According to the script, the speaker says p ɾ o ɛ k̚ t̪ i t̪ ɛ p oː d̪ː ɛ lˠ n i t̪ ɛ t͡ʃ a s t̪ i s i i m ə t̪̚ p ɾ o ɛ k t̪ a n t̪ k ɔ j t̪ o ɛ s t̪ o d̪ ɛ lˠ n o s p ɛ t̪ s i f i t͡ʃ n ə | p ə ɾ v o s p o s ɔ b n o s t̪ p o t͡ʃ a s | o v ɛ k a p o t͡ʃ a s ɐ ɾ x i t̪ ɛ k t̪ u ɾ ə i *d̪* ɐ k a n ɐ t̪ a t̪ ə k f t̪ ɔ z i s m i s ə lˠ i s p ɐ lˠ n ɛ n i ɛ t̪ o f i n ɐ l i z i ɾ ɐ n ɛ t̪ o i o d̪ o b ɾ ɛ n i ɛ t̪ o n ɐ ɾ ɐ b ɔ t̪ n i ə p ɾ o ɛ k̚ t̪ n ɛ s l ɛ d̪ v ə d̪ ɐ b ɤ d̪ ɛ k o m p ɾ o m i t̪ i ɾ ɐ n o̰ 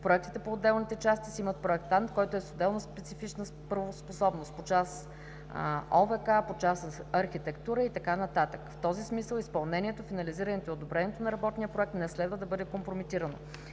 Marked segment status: incorrect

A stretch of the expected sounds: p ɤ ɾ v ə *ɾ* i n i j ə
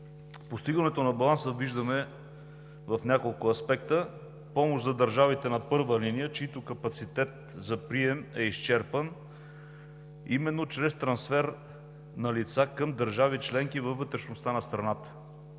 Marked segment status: incorrect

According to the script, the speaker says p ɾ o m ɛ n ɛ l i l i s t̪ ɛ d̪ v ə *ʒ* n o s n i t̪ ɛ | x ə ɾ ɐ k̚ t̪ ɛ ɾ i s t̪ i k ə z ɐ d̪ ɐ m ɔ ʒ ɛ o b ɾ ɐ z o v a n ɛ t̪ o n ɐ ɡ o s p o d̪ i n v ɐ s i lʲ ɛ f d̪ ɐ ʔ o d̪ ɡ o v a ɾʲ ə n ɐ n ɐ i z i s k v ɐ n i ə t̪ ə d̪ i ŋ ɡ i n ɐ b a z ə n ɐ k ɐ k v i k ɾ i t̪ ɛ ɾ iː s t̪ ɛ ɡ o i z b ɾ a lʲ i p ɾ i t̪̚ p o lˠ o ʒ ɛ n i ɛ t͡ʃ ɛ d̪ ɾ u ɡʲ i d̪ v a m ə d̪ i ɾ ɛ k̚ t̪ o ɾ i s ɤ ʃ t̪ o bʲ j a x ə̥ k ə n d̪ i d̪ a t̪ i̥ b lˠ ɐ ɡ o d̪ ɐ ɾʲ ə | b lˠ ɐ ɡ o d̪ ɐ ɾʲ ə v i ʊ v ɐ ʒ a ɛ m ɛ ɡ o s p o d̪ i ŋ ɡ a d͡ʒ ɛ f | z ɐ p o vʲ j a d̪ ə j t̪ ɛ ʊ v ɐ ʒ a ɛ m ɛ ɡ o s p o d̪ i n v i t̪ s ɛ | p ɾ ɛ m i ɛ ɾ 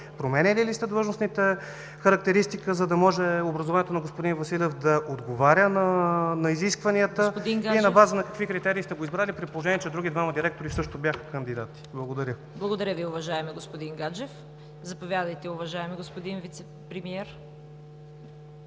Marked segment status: correct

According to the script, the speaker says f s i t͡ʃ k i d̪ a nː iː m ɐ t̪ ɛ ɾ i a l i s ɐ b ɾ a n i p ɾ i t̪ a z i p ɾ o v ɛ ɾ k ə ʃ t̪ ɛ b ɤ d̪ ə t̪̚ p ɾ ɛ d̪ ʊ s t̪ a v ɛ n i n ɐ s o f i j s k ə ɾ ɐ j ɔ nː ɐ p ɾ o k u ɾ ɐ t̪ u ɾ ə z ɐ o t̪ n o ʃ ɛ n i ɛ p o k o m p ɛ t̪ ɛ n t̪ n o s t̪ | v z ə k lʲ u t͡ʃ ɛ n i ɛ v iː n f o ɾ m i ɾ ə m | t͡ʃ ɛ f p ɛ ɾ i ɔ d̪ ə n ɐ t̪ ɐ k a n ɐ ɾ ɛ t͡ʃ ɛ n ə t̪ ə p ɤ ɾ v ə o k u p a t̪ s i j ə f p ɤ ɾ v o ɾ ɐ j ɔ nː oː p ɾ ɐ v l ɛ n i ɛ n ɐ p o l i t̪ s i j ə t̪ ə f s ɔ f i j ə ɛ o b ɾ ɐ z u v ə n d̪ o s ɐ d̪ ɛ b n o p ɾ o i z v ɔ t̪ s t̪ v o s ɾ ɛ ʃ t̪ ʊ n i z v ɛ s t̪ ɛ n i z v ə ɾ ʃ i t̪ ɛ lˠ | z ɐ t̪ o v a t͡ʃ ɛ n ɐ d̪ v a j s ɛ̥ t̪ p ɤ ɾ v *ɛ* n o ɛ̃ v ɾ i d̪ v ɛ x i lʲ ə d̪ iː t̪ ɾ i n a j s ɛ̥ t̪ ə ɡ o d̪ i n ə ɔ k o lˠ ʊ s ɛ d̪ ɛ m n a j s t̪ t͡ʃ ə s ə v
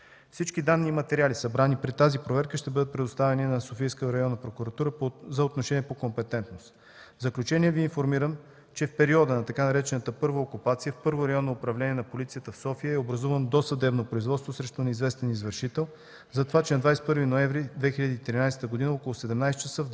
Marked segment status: incorrect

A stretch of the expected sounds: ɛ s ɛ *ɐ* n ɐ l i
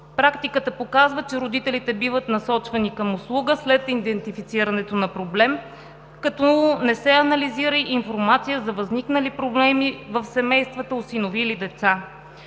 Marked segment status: correct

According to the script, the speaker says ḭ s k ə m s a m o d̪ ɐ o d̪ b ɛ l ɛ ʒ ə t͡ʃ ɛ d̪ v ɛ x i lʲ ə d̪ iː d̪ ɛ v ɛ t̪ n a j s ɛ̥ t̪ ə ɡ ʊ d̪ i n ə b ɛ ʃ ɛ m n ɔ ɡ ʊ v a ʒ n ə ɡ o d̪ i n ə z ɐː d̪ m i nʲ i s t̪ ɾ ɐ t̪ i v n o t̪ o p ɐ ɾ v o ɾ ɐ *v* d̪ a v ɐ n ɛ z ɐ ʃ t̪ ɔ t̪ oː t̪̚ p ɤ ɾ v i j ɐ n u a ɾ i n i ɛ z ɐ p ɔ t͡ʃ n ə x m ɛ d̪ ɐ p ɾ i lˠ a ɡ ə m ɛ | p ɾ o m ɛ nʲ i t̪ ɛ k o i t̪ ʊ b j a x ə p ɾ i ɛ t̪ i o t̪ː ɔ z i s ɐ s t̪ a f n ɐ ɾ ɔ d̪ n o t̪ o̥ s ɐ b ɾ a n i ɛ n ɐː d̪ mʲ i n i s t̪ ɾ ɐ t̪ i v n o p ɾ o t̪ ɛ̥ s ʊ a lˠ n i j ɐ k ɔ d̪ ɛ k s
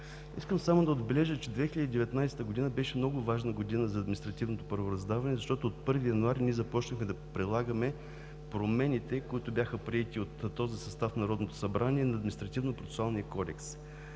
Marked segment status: incorrect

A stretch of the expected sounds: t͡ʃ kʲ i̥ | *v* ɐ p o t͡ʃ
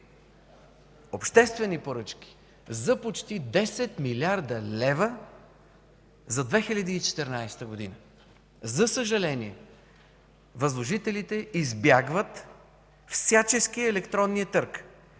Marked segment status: incorrect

